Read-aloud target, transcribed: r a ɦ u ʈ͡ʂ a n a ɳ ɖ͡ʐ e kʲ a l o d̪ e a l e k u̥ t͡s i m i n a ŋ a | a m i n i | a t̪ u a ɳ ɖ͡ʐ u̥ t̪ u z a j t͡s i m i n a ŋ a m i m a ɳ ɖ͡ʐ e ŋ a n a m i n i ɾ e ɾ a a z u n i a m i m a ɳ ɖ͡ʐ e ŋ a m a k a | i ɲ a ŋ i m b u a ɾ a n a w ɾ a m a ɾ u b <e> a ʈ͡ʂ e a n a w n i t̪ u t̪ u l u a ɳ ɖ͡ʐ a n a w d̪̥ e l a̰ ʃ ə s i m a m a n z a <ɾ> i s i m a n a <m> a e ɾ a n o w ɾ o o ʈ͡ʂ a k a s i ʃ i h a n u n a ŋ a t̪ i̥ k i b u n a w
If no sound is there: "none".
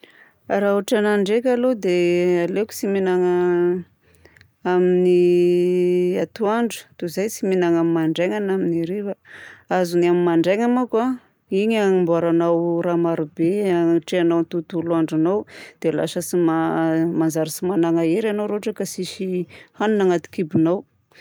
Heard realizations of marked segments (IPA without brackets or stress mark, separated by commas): e, ɾ, ŋ